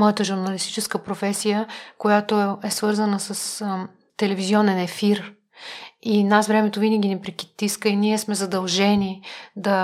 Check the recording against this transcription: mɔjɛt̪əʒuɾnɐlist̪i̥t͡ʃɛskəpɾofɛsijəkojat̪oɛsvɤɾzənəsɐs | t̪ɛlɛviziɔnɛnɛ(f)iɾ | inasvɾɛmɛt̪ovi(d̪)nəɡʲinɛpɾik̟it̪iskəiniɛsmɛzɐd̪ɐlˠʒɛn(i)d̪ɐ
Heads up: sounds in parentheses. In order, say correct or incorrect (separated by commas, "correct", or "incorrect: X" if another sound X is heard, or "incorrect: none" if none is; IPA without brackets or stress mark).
correct, incorrect: none, correct